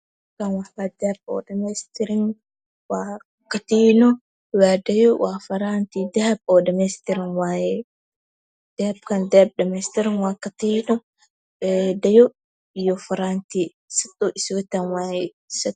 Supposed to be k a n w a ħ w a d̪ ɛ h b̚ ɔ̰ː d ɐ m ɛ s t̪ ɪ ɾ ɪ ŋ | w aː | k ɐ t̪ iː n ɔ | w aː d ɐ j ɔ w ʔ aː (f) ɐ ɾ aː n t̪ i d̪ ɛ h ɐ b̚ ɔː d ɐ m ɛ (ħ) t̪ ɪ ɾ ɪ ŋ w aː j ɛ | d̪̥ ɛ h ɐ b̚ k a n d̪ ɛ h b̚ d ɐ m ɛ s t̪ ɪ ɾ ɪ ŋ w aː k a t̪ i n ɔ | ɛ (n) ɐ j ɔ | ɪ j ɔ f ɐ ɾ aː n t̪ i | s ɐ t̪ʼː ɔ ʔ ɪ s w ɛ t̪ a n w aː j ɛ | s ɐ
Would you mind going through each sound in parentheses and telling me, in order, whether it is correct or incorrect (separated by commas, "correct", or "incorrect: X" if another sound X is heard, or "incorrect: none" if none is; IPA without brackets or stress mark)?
correct, incorrect: s, incorrect: d